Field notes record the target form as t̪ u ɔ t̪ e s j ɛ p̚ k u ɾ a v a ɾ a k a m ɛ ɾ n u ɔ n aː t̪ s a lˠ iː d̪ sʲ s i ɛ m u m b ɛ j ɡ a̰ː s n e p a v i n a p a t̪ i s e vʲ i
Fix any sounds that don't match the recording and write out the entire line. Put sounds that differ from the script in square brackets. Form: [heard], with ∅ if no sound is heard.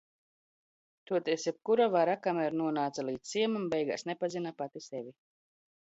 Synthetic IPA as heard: t̪ u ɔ t̪ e s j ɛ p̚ k u ɾ a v a ɾ a k a m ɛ ɾ n u ɔ n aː t̪ s a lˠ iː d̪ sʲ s i ɛ m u m b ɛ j ɡ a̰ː s n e p a [z] i n a p a t̪ i s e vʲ i